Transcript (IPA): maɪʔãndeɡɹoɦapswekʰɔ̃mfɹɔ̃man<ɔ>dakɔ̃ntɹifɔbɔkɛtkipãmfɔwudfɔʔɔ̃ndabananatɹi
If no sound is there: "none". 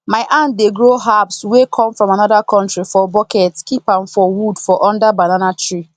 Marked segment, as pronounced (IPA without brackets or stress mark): ɔ